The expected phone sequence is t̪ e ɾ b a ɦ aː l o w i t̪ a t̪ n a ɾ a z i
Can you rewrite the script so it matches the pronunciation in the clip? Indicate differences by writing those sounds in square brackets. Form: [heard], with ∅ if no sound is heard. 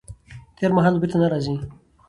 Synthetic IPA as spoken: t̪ e ɾ [m] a ɦ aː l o [b] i t̪ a [∅] n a ɾ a z i